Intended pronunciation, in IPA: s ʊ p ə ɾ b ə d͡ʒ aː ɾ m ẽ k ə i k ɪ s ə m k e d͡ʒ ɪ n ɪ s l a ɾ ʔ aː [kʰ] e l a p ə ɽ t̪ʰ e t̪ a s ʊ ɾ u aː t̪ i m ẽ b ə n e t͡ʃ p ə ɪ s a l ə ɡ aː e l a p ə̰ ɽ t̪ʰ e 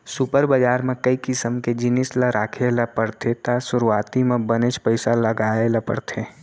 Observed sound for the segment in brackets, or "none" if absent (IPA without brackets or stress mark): kʰ